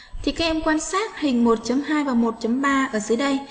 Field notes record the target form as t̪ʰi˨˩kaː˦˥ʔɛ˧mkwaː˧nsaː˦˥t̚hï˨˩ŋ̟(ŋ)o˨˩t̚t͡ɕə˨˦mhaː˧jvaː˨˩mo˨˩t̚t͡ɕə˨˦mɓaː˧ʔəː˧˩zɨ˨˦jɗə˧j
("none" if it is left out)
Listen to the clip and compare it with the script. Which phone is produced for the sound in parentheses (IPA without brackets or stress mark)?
m